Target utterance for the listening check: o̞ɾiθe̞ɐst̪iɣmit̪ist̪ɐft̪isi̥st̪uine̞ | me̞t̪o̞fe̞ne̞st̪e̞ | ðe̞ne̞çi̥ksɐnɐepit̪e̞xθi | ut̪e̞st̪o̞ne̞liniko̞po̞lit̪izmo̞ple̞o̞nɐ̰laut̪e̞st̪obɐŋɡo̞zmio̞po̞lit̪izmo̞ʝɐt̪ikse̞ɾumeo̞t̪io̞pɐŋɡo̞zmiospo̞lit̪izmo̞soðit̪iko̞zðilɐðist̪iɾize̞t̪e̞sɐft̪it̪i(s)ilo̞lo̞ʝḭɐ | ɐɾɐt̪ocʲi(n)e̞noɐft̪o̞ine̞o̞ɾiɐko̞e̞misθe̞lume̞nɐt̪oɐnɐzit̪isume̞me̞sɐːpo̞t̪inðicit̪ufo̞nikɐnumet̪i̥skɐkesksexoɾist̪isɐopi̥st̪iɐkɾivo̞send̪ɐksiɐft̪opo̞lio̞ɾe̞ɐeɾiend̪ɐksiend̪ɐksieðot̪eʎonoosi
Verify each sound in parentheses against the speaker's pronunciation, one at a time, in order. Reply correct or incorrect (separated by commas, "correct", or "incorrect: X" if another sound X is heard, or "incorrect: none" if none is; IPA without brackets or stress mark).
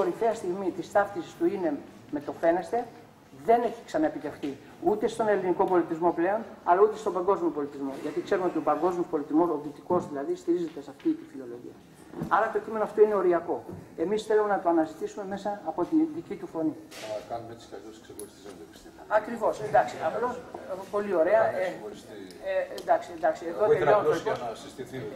incorrect: f, incorrect: m